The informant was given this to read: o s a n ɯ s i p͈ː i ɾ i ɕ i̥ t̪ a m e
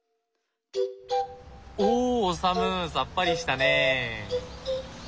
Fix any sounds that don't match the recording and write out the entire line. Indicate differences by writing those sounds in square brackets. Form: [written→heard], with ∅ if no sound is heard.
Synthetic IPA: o s a [n→m] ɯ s [i→a] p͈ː [i→a] ɾ i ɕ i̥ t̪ a [m→n] e